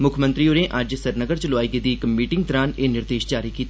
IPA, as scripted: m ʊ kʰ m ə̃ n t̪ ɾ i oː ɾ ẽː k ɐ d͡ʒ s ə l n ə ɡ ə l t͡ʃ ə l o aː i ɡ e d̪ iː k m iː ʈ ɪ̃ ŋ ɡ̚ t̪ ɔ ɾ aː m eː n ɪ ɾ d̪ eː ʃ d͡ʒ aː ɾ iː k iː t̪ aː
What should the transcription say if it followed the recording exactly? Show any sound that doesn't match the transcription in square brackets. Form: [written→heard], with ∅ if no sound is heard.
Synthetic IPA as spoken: m ʊ kʰ m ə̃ n t̪ ɾ i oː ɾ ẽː [k→ʔ] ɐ d͡ʒ s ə [l→ɾ] n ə ɡ ə [l→ɾ] t͡ʃ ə l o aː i ɡ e d̪ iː k m iː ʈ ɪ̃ ŋ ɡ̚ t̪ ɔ ɾ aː [m→n] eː n ɪ ɾ d̪ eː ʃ d͡ʒ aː ɾ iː k iː t̪ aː